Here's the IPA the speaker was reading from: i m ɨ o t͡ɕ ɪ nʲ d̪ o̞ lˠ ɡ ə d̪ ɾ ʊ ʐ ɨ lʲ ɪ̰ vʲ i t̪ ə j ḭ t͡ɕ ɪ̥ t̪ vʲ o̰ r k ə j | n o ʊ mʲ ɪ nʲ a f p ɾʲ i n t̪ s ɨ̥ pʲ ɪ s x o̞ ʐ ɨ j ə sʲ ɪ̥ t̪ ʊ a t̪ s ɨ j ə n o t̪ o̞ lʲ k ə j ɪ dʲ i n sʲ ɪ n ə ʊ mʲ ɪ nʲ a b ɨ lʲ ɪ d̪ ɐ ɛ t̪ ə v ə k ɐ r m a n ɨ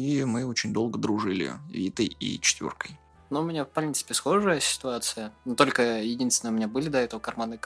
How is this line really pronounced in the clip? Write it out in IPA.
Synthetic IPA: i m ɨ o t͡ɕ ɪ nʲ d̪ o̞ lˠ ɡ ə d̪ ɾ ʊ ʐ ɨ lʲ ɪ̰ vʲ i t̪ ə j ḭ t͡ɕ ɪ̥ t̪ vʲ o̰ r k ə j | n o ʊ mʲ ɪ nʲ a f p ɾʲ i n t̪ s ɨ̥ pʲ ɪ s x o̞ ʐ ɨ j ə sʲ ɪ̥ t̪ ʊ a t̪ s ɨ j ə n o t̪ o̞ lʲ k ə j ɪ dʲ i n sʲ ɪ n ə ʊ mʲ ɪ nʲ a b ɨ lʲ ɪ d̪ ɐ ɛ t̪ ə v ə k ɐ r m a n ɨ